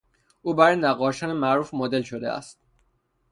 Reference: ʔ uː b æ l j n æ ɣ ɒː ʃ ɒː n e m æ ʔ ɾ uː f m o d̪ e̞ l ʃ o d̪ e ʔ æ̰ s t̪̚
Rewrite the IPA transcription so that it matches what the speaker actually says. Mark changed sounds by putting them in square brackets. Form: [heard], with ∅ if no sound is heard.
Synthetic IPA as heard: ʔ uː b æ [ɾ] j n æ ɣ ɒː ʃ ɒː n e m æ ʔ ɾ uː f m o d̪ e̞ l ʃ o d̪ e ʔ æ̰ s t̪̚